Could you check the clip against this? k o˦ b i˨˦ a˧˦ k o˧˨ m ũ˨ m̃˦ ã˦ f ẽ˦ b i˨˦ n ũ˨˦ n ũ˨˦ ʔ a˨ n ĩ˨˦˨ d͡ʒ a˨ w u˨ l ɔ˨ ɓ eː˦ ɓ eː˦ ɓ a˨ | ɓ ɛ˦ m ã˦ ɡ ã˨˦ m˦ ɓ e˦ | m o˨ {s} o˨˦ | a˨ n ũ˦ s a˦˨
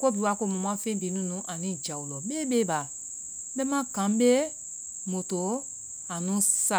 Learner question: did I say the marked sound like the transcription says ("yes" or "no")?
no